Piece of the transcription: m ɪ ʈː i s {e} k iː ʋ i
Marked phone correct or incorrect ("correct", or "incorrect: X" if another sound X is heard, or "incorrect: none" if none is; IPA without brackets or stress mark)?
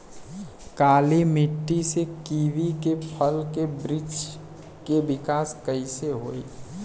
correct